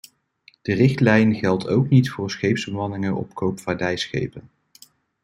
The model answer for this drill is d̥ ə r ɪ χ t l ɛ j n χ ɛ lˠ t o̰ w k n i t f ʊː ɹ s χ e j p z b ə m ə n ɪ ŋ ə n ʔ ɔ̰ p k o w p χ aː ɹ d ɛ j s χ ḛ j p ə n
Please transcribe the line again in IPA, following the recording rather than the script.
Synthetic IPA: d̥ ə r ɪ χ t l ɛ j n χ ɛ lˠ t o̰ w k n i t f ʊː ɹ s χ e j p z b ə m ɑ n ɪ ŋ ə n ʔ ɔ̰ p k o w p f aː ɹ d ɛ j s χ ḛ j p ə n